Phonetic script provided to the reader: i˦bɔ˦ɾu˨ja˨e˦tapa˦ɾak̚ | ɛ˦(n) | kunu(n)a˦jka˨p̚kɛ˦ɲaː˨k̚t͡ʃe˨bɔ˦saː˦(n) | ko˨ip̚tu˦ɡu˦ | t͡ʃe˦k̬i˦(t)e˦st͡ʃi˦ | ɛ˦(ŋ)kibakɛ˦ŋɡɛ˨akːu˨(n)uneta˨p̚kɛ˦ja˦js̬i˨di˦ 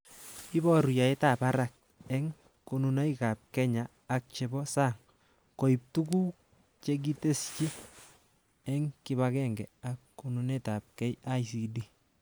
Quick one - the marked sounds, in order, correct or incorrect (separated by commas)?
incorrect, correct, incorrect, correct, correct, correct